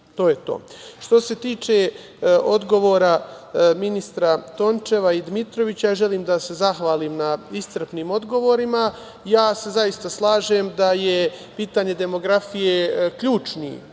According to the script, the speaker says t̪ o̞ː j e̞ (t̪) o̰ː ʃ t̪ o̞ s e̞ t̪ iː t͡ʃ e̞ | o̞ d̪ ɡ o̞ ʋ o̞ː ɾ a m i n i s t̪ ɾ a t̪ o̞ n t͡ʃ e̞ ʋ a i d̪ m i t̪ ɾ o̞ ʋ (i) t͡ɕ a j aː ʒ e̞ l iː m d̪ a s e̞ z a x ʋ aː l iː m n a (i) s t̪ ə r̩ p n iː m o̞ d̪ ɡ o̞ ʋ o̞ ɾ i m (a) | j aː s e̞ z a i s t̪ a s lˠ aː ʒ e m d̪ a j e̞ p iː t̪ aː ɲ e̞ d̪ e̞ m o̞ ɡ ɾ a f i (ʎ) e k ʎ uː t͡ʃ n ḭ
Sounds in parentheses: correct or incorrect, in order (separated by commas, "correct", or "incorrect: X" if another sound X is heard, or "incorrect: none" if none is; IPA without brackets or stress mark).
correct, correct, correct, correct, incorrect: j